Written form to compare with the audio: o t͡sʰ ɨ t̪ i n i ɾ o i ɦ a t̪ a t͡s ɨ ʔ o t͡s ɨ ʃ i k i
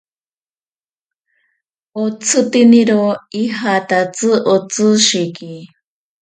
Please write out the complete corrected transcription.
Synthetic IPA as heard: o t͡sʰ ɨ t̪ i n i ɾ o i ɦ a t̪ a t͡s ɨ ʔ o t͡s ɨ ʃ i k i